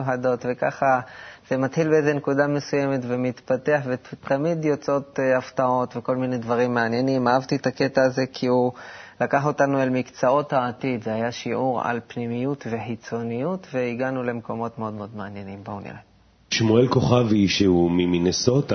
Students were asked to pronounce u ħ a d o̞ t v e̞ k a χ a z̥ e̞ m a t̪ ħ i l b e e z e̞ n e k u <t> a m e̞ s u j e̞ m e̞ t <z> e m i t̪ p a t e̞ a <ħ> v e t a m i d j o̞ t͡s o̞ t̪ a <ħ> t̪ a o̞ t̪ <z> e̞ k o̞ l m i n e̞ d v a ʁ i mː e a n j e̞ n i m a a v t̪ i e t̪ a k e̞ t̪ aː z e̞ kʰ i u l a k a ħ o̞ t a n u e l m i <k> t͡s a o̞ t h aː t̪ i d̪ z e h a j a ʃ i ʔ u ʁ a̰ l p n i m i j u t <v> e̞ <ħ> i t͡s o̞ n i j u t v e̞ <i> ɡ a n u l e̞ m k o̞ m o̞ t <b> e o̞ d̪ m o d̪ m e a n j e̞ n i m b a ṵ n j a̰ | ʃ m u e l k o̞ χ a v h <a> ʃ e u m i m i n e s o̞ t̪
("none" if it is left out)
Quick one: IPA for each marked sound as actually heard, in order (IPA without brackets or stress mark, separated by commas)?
d, v, ħ, f, v, k, v, ħ, i, m, i